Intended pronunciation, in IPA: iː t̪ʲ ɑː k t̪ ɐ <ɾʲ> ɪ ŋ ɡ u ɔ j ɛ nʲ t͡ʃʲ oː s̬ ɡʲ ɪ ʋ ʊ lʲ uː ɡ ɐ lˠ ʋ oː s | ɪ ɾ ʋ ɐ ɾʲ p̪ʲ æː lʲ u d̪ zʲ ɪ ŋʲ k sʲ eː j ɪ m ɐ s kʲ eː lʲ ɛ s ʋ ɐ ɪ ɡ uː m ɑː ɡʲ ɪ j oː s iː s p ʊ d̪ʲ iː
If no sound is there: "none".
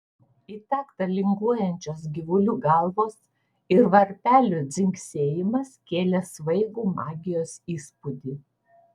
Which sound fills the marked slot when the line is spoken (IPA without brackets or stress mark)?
lʲ